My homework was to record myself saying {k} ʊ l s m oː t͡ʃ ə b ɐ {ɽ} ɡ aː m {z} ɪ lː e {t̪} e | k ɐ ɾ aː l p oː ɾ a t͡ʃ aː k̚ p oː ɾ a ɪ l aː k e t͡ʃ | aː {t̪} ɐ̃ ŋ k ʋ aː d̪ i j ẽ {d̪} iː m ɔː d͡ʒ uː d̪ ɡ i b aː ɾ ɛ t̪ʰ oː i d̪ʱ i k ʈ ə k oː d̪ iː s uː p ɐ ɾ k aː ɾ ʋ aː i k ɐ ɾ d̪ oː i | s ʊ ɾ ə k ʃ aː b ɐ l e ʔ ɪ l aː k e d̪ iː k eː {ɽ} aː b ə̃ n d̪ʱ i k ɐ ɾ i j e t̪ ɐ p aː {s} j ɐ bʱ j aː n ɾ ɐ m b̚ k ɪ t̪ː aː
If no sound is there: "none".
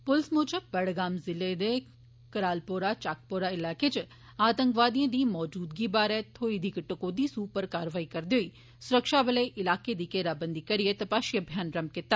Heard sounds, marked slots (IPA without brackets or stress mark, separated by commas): p, ɽ, z, d̪, t̪, d̪, ɾ, ʃ